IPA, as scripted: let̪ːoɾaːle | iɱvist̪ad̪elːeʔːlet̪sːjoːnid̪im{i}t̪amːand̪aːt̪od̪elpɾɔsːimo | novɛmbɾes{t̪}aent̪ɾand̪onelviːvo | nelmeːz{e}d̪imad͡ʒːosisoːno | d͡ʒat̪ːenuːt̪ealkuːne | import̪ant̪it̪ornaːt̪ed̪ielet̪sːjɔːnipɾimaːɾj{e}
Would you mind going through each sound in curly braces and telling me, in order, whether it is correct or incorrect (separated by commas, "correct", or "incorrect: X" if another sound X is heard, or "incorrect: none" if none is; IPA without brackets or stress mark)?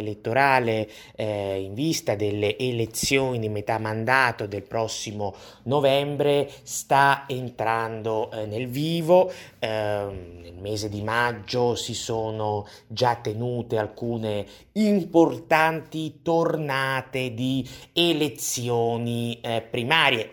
incorrect: e, correct, correct, correct